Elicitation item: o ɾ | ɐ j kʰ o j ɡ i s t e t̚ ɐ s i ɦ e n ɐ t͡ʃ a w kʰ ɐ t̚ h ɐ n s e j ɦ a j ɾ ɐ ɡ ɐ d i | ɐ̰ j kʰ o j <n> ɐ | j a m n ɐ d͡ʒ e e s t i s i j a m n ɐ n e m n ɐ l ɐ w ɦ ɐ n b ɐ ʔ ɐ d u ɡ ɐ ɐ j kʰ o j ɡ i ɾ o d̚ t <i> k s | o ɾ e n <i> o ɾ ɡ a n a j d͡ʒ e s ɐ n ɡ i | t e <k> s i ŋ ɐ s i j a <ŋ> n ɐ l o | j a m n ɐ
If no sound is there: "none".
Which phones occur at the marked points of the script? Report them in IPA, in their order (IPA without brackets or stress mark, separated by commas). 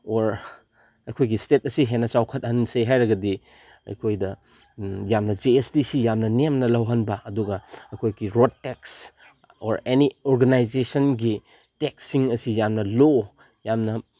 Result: d, e, i, k, m